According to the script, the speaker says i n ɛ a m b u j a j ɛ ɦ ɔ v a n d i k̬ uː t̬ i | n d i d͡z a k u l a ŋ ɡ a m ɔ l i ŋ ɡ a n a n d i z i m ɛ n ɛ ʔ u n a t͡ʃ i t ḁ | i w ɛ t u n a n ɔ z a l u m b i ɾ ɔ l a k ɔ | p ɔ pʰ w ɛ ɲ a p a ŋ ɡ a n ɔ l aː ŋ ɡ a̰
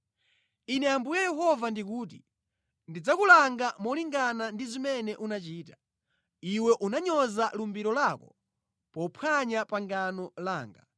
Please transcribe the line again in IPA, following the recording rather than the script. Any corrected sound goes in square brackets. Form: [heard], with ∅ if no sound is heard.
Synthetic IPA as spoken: i n ɛ a m b u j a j ɛ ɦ ɔ v a n d i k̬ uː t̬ i | n d i d͡z a k u l a ŋ ɡ a m ɔ l i ŋ ɡ a n a n d i z i m ɛ n ɛ ʔ u n a t͡ʃ [iː] t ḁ | i w ɛ [ʔ] u n a [ɲ] ɔ z a l u m b i ɾ ɔ l a k ɔ | p ɔ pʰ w [a] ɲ a p a ŋ ɡ a n ɔ l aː ŋ ɡ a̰